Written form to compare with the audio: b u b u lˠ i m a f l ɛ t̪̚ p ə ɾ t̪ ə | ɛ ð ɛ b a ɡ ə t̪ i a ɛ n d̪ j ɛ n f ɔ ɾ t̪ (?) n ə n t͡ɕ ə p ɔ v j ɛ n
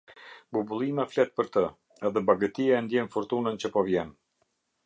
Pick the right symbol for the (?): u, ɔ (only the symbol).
u